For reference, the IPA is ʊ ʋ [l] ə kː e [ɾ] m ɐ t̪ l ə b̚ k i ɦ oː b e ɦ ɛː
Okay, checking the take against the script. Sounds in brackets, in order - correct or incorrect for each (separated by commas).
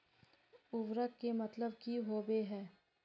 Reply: incorrect, incorrect